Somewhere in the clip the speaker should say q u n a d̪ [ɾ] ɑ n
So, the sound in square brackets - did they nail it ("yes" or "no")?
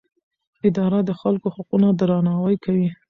yes